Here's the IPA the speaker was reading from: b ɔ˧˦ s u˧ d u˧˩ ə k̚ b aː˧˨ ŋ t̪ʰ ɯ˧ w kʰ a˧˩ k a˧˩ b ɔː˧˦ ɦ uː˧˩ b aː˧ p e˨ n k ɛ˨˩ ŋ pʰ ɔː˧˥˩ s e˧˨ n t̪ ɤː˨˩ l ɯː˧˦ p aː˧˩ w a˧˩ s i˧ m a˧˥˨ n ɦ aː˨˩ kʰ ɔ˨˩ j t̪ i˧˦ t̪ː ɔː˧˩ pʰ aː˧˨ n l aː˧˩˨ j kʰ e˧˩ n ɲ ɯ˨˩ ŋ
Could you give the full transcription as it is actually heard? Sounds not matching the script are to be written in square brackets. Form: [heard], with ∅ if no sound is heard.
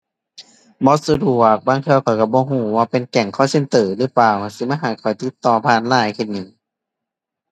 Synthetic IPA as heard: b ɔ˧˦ s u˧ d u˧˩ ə k̚ b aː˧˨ ŋ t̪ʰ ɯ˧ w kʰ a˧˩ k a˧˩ b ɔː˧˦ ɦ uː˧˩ [w] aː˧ p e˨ n k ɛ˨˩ ŋ [kʰ] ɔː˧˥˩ s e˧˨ n t̪ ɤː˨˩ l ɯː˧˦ p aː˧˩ w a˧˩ s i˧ m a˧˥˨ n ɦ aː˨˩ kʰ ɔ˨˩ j t̪ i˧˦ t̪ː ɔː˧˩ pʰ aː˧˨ n l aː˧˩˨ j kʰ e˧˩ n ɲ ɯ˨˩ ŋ